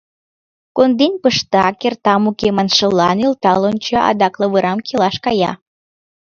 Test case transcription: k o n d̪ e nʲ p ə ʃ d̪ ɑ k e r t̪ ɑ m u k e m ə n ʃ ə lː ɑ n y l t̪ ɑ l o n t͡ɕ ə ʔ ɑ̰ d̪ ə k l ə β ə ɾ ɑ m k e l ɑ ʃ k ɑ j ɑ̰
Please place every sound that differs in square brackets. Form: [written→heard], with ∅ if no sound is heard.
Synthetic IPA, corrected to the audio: k o n d̪ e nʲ p ə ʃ [d̪→t̪] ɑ k e r t̪ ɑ m u k e m [ə→ɑ] n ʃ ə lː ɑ n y l t̪ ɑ l o n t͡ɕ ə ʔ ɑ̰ d̪ [ə→ɑ] k l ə β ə ɾ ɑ m k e l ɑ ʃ k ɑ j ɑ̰